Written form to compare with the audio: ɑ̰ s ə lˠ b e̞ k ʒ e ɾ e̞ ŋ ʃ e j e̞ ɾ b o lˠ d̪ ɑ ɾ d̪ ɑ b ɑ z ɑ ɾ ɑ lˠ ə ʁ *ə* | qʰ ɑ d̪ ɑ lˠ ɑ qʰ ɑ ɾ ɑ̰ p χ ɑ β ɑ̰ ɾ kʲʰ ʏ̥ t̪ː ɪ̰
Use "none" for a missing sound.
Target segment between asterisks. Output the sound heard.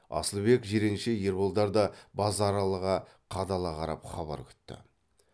ɑ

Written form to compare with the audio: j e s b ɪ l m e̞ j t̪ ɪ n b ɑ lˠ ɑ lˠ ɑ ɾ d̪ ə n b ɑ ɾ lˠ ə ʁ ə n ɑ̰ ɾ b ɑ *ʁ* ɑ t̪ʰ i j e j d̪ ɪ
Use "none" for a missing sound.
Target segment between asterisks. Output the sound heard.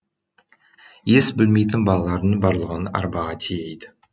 ʁ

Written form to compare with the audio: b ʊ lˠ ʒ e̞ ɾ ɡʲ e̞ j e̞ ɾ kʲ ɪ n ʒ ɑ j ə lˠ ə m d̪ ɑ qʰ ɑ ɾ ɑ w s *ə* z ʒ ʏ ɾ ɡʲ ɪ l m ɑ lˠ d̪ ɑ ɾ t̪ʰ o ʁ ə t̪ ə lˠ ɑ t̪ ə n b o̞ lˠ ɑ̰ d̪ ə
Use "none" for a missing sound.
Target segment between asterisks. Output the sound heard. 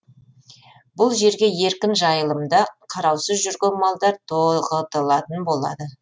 ə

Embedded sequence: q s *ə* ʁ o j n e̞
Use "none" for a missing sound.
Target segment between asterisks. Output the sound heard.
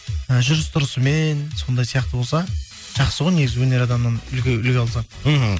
ə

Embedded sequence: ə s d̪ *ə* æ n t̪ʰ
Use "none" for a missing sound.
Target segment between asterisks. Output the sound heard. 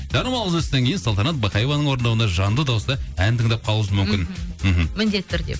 ɑ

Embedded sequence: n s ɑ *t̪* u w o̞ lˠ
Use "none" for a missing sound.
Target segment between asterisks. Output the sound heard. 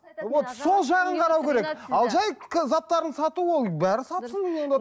t̪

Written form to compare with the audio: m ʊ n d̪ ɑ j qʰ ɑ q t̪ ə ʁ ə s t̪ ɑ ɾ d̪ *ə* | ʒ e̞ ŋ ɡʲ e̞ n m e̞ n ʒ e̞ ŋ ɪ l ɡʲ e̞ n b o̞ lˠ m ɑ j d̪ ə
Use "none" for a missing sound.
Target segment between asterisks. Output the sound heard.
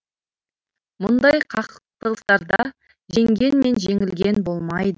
ɑ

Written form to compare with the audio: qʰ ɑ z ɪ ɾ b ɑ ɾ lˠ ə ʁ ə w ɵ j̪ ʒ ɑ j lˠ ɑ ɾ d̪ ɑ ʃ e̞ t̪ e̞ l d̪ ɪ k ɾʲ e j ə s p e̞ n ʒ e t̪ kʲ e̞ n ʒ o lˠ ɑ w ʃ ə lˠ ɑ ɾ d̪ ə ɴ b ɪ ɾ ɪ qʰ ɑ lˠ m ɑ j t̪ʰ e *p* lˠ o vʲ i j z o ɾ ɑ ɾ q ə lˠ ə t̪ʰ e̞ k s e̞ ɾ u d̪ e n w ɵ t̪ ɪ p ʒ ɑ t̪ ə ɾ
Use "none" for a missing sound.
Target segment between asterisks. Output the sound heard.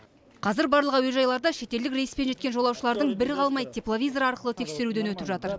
p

